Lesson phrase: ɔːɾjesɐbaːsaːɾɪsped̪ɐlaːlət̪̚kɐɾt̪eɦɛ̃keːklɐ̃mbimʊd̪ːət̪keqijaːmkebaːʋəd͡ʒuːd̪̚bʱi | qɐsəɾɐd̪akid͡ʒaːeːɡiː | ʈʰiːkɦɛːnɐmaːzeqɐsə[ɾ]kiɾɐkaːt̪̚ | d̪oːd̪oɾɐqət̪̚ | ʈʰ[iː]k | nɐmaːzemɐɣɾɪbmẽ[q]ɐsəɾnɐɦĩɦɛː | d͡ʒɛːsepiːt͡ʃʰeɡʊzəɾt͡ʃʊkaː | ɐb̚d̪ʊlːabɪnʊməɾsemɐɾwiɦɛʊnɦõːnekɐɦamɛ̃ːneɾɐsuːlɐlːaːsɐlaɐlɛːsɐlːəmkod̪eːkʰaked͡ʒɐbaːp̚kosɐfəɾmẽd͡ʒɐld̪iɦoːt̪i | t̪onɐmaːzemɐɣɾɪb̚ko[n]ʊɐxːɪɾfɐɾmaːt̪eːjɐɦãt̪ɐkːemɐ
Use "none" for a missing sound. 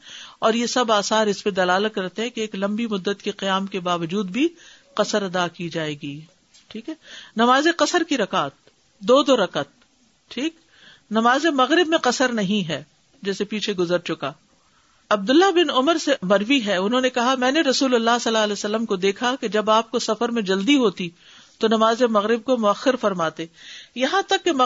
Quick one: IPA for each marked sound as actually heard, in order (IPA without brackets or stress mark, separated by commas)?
ɾ, iː, q, m